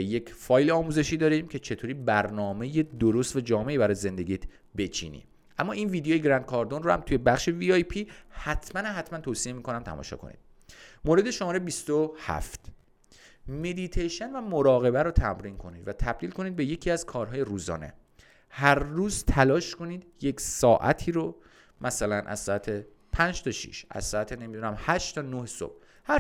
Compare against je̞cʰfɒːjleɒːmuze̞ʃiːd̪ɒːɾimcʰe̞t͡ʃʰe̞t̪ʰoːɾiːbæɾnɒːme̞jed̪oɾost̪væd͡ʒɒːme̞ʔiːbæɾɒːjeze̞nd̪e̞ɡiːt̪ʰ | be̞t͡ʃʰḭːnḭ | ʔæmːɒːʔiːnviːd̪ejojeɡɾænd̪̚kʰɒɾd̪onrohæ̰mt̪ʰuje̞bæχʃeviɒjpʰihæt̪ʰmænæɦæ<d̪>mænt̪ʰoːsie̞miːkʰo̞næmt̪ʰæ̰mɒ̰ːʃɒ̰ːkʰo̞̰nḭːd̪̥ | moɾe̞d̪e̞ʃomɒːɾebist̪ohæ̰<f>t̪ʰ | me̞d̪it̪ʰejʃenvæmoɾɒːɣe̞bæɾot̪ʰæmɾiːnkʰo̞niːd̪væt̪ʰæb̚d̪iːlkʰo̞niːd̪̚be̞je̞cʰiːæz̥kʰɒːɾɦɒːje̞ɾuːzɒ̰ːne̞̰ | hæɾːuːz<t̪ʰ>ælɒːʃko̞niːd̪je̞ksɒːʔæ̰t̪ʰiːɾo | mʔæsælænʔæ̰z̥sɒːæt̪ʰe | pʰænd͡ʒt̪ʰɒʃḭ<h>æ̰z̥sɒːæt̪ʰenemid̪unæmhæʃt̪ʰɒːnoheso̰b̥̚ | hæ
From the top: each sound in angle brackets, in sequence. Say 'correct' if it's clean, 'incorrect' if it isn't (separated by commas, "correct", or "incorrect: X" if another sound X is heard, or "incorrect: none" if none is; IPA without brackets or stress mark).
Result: incorrect: t̪, correct, correct, incorrect: ʃ